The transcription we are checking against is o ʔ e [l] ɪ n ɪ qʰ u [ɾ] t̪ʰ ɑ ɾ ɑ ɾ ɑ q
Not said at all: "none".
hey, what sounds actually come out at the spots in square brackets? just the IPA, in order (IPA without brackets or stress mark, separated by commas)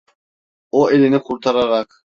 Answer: l, ɾ